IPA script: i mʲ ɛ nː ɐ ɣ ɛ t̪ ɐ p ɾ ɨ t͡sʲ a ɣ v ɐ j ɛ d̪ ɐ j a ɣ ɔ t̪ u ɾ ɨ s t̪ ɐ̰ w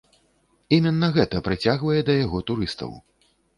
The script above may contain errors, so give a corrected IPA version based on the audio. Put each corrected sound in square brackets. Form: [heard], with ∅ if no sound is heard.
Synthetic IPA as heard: i mʲ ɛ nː ɐ ɣ ɛ t̪ ɐ p ɾ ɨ t͡sʲ a ɣ v ɐ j ɛ d̪ ɐ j a ɣ ɔ t̪ u ɾ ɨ s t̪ ɐ̰ w